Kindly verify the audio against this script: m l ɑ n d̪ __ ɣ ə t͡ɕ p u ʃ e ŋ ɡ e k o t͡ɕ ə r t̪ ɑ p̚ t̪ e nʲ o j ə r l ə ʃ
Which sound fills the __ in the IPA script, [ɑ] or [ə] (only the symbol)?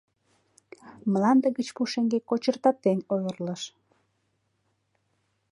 ə